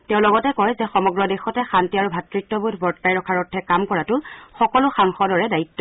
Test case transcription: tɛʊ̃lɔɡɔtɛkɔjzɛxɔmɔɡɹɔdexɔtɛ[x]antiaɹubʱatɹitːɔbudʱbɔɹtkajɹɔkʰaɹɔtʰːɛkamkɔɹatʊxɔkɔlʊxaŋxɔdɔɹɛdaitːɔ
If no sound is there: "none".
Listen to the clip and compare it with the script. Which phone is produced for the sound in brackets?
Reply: x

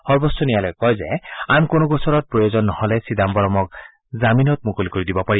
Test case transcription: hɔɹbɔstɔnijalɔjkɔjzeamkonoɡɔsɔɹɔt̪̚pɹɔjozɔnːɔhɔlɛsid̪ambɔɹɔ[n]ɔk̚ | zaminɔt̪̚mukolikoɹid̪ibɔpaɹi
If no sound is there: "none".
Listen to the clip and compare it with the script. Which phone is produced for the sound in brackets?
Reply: m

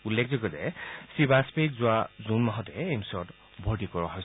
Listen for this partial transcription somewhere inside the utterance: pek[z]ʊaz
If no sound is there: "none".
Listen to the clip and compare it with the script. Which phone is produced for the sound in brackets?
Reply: z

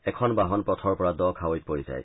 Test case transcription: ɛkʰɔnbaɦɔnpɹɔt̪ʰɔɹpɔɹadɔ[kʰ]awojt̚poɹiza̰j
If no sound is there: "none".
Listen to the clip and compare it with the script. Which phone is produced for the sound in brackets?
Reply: kʰ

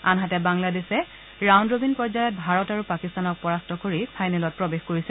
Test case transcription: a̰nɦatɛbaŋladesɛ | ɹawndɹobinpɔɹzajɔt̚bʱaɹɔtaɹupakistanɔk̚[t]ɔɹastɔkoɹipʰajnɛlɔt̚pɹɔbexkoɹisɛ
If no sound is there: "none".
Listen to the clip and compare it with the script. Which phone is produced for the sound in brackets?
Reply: p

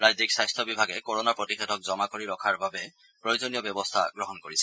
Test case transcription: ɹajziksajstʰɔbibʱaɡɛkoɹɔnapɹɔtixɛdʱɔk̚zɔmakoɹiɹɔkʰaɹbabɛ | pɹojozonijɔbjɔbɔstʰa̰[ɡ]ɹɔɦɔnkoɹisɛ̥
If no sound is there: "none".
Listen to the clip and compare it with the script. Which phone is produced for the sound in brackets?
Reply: ɡ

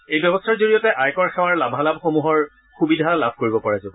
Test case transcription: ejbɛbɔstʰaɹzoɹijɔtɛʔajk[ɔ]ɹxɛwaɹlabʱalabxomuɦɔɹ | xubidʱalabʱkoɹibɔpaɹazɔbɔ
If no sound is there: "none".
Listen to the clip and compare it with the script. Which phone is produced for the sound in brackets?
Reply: ɔ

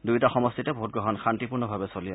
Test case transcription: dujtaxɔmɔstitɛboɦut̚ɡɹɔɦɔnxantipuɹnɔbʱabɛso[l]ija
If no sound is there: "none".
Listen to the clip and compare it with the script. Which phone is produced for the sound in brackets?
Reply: l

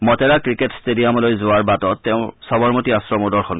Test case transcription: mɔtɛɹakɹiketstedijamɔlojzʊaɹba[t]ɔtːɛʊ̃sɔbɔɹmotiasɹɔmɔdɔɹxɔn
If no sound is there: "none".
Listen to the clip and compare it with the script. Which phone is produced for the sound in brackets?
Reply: t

